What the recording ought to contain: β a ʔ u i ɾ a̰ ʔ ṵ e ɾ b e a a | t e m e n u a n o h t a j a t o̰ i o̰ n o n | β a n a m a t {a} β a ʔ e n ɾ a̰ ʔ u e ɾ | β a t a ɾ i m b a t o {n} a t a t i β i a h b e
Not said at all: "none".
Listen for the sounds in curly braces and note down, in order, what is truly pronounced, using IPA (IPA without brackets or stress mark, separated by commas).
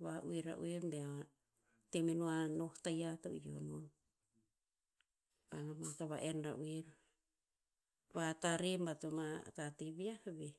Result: a, m